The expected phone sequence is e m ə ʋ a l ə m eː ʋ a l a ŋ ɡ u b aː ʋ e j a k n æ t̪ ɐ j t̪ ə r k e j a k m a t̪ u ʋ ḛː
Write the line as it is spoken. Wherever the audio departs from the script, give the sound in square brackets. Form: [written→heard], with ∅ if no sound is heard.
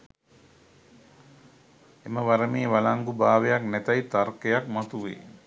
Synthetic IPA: e m ə ʋ a [l→ɾ] ə m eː ʋ a l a ŋ ɡ u b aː ʋ e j a k n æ t̪ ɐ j t̪ [ə→a] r k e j a k m a t̪ u ʋ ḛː